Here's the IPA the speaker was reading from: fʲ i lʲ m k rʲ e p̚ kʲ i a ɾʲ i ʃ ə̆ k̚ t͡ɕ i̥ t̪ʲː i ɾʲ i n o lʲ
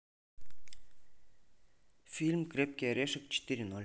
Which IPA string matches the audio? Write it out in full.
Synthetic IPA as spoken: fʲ i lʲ m k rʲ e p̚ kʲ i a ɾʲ e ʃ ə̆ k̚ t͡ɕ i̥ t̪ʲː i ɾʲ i n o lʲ

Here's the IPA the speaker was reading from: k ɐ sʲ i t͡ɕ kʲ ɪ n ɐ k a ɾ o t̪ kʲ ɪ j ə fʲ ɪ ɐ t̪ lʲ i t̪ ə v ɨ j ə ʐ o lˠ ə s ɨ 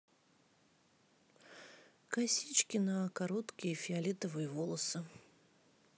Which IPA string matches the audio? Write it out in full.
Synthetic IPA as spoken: k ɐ sʲ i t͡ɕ kʲ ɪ n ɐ k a ɾ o t̪ kʲ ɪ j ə fʲ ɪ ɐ lʲ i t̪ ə v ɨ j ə v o lˠ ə s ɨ

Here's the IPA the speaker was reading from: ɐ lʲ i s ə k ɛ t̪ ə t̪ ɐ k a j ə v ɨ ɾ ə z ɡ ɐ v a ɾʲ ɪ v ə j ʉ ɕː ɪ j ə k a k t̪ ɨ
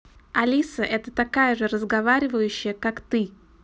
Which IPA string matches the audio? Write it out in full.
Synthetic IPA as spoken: ɐ lʲ i s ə ʔ ɛ t̪ ə t̪ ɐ k a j ə ʐ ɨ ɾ ə z ɡ ɐ v a ɾʲ ɪ v ə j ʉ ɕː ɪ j ə k a k t̪ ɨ

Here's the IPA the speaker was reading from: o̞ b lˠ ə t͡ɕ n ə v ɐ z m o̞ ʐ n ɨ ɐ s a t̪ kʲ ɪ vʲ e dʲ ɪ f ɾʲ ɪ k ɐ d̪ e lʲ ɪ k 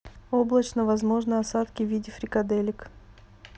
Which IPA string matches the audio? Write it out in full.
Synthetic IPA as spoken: o̞ b lˠ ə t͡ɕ n ə v ɐ z m o̞ ʐ n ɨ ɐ s a t̪ kʲ ɪ vʲ i dʲ ɪ f ɾʲ ɪ k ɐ d̪ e lʲ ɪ k

